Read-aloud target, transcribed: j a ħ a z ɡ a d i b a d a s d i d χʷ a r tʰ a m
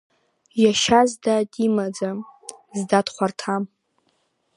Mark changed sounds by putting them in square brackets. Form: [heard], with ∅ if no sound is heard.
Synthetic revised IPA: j a [ʃ] a z [d] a d i [m] a [d͡z] a [z] d [a] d χʷ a r tʰ a m